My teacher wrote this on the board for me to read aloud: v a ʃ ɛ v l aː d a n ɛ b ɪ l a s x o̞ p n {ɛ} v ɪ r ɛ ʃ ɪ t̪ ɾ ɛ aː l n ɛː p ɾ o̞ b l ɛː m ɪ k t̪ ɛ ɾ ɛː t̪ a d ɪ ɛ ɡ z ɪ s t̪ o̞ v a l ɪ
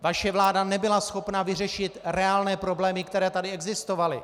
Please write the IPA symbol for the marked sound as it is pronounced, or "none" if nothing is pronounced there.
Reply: a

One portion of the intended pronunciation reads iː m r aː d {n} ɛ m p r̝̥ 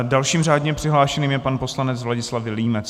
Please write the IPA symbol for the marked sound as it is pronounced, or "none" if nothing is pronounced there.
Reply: ɲ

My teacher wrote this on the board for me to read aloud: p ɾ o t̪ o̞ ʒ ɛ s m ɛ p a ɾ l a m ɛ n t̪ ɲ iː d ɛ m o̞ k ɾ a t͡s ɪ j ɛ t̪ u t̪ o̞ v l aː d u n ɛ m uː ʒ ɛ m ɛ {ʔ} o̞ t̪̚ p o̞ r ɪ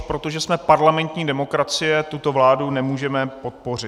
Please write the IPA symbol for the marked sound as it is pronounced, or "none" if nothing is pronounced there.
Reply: p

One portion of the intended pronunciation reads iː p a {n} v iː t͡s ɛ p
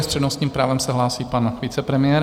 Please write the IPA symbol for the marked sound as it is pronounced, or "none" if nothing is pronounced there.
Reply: n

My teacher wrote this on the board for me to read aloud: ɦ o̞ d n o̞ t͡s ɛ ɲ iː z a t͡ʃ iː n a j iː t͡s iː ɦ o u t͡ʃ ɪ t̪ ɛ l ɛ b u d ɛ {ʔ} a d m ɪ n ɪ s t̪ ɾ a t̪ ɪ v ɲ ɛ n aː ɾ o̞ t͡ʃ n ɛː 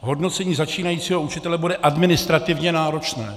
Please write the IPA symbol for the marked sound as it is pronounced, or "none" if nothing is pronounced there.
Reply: ʔ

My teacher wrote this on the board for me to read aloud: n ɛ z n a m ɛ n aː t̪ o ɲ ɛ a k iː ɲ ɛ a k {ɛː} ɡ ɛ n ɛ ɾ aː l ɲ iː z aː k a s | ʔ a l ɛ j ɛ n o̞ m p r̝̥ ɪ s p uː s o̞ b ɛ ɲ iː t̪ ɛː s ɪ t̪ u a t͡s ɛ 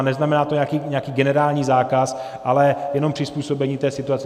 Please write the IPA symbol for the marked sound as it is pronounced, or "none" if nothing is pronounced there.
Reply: iː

